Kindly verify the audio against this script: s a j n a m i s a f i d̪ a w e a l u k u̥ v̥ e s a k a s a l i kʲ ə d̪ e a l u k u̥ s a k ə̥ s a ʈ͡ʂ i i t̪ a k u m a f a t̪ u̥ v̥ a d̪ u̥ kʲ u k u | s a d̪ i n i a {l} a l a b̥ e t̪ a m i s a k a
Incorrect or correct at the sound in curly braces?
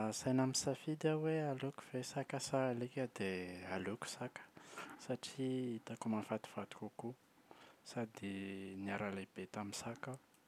incorrect: ɾ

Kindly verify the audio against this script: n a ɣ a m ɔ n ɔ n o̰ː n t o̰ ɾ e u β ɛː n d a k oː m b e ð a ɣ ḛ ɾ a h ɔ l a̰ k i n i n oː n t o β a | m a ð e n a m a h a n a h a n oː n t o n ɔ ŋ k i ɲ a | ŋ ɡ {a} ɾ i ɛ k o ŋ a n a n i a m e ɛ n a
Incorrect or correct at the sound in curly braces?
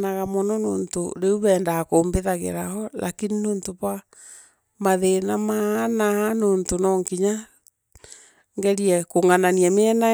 incorrect: ɛ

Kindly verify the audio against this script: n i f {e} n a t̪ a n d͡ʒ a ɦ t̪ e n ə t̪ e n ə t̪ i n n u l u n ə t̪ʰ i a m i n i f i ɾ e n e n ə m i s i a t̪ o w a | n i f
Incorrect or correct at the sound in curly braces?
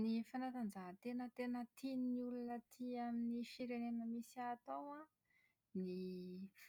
incorrect: a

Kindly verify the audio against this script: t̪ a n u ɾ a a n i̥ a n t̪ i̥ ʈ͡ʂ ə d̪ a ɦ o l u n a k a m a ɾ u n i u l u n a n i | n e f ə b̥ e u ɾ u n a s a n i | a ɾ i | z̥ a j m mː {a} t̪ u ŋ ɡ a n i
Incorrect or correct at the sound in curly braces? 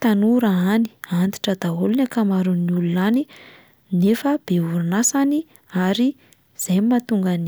correct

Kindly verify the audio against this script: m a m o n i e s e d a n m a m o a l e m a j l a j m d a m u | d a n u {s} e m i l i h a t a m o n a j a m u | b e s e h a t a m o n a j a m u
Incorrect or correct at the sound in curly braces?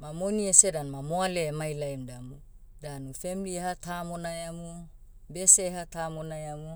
incorrect: f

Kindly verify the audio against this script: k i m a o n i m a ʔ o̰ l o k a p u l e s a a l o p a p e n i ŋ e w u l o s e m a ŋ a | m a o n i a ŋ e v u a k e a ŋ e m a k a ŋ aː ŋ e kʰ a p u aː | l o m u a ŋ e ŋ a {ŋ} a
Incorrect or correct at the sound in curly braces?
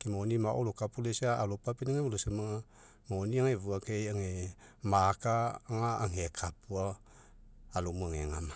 incorrect: m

